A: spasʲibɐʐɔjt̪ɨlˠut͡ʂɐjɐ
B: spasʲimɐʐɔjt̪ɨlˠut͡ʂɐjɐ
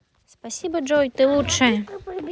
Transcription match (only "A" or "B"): A